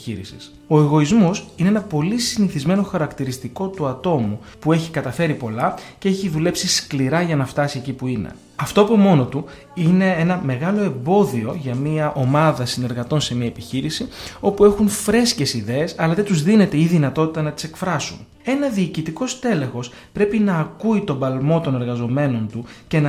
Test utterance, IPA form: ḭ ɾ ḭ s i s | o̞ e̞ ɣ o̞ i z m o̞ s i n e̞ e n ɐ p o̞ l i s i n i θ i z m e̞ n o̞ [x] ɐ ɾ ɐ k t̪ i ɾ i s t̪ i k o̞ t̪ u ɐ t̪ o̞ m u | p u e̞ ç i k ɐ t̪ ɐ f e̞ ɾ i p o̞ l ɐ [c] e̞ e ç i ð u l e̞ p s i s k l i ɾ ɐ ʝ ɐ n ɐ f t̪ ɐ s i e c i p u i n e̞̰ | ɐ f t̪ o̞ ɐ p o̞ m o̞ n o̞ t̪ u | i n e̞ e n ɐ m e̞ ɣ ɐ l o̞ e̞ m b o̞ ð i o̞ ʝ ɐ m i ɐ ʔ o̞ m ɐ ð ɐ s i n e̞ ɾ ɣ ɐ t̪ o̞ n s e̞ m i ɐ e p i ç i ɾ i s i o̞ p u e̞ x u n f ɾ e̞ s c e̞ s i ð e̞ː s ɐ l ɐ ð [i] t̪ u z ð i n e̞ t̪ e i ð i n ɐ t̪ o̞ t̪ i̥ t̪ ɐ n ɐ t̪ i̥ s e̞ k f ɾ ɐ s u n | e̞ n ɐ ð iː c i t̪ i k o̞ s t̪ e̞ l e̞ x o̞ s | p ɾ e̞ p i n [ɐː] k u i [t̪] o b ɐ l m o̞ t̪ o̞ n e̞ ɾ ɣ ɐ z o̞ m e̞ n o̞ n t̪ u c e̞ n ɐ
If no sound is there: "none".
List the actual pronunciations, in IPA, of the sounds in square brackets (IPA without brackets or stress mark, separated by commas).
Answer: x, c, e, ɐː, t̪